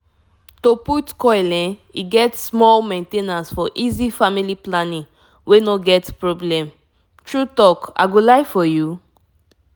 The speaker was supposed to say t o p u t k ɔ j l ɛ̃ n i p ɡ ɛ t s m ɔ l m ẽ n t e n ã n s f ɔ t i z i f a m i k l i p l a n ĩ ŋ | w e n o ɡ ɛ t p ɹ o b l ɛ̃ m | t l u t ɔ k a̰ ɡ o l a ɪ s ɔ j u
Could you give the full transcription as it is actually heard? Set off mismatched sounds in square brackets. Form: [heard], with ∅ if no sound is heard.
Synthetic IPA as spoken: t o p u t k ɔ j l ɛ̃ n i [∅] ɡ ɛ t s m ɔ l m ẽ n t e n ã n s f ɔ [ʔ] i z i f a m i [∅] l i p l a n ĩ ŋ | w e n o ɡ ɛ t p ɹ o b l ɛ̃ m | t [ɹ] u t ɔ k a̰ ɡ o l a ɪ [f] ɔ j u